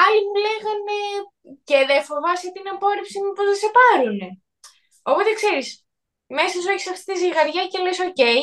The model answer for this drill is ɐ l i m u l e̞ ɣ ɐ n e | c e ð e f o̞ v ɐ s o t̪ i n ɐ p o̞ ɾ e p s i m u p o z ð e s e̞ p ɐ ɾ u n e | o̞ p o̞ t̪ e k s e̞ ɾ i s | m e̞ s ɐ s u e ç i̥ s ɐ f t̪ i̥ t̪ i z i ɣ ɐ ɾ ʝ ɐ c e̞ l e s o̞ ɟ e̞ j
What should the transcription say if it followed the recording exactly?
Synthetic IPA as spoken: ɐ l i m u l e̞ ɣ ɐ n e | c e ð e f o̞ v ɐ s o t̪ i n ɐ p o̞ ɾ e p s i m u p o z ð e s e̞ p ɐ ɾ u n e | o̞ p o̞ t̪ e k s e̞ ɾ i s | m e̞ s ɐ s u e ç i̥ s ɐ f t̪ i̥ t̪ i z i ɣ ɐ ɾ ʝ ɐ c e̞ l e s o̞ c e̞ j